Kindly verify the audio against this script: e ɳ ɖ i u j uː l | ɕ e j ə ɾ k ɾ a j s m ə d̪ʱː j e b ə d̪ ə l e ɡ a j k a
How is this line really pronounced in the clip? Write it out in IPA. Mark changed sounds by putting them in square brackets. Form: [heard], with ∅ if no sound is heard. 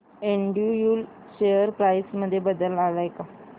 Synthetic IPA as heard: e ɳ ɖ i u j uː l | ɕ e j ə ɾ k ɾ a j s m ə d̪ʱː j e b ə d̪ ə l [a] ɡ a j k a